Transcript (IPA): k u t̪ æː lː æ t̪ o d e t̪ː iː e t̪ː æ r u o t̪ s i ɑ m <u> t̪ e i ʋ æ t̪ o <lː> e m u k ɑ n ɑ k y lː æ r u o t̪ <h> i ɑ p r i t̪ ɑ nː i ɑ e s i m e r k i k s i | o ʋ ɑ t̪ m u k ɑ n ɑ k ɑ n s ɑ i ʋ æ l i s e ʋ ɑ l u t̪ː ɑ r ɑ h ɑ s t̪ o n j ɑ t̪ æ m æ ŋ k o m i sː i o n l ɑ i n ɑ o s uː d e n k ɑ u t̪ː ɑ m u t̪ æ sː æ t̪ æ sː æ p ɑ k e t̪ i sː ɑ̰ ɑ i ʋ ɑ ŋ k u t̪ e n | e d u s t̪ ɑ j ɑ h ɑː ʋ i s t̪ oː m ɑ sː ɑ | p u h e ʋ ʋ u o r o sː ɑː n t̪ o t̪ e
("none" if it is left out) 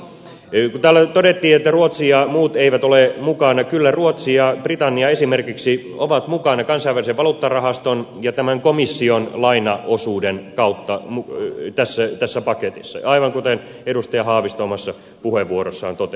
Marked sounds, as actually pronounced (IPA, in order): uː, l, s

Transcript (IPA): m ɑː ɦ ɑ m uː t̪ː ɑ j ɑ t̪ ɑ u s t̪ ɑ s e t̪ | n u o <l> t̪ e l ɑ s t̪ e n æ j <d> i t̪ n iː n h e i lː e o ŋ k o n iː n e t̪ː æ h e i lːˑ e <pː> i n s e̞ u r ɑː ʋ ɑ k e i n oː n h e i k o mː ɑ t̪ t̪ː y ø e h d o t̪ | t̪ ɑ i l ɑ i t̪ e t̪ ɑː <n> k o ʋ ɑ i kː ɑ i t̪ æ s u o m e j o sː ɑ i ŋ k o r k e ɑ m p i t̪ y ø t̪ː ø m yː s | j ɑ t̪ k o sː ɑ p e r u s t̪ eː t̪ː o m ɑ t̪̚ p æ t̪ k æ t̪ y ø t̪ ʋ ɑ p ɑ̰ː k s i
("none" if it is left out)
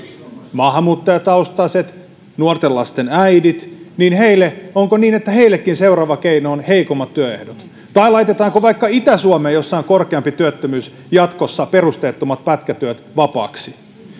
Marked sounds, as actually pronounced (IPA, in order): r, d, kː, ŋ

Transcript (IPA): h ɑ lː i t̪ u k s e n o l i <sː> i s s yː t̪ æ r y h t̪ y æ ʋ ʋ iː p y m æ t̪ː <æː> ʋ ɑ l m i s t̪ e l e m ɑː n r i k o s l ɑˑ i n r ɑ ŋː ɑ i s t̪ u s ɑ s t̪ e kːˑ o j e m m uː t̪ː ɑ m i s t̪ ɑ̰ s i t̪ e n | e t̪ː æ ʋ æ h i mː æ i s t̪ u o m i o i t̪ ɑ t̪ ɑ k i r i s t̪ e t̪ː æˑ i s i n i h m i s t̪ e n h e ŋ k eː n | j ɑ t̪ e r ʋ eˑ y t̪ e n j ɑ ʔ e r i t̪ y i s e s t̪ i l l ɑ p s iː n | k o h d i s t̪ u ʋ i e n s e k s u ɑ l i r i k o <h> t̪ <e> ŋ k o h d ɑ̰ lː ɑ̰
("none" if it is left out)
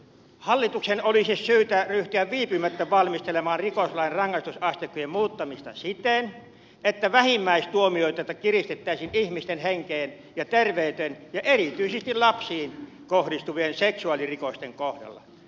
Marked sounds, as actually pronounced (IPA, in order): s, æ, s, e

